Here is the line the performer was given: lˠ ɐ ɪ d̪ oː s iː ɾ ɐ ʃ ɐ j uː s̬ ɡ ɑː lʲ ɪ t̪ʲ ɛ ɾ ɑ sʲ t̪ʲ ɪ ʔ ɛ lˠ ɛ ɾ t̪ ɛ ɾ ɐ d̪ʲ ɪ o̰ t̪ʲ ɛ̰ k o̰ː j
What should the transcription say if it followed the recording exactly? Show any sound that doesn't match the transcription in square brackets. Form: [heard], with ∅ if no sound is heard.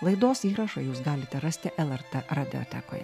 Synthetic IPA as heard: lˠ ɐ ɪ d̪ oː s iː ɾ ɐ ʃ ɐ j uː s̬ ɡ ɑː lʲ ɪ t̪ʲ ɛ ɾ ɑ sʲ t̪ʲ ɪ ʔ ɛ lˠ ɛ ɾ t̪ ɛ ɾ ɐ d̪ʲ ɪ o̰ t̪ʲ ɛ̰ k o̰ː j